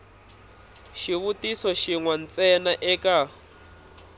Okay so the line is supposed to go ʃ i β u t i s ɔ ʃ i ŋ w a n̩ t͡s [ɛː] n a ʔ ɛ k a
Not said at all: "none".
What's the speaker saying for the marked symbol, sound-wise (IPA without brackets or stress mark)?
ɛ